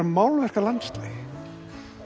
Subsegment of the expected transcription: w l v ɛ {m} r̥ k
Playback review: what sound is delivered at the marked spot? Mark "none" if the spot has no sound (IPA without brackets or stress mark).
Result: none